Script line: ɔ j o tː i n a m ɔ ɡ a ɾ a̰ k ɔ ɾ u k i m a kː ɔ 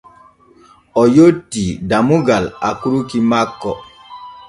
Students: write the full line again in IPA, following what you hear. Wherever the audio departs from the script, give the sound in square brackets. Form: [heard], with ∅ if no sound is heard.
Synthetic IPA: ɔ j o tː i [d] a m [u] ɡ a [l] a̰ k [u] ɾ u k i m a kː ɔ